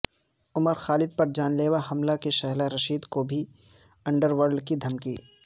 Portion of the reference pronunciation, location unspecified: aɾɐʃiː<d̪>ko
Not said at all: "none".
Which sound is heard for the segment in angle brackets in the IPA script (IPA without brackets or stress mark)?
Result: d̪